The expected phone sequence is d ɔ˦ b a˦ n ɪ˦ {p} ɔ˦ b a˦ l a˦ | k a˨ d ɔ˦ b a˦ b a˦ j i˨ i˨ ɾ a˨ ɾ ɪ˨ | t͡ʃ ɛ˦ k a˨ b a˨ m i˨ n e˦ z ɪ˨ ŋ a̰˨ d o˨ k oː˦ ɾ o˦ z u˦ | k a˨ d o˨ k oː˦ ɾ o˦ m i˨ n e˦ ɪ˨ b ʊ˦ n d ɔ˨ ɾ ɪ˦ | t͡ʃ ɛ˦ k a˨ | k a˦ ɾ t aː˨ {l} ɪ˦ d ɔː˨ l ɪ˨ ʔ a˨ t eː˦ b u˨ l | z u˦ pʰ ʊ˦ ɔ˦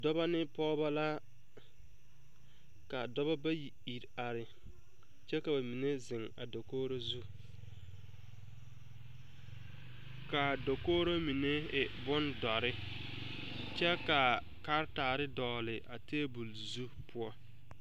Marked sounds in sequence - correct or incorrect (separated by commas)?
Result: correct, incorrect